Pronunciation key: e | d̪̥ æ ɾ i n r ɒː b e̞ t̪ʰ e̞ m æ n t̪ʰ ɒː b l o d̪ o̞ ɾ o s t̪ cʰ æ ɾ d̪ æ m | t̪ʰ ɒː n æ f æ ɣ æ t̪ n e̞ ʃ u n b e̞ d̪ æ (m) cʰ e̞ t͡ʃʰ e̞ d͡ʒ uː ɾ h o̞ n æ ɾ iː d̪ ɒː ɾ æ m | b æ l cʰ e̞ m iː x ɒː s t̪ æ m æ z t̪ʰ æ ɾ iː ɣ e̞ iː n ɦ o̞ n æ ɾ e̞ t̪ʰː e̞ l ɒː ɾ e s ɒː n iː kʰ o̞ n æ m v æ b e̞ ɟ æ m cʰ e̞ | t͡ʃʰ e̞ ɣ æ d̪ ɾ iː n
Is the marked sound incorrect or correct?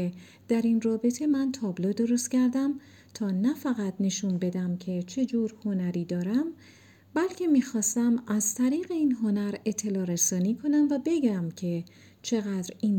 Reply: correct